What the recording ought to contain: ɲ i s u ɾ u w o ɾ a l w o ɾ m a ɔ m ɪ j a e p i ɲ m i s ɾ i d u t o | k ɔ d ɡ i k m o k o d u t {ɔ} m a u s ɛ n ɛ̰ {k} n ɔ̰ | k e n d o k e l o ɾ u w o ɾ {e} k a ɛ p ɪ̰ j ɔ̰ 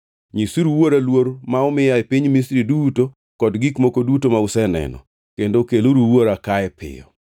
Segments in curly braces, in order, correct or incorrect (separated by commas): incorrect, incorrect, incorrect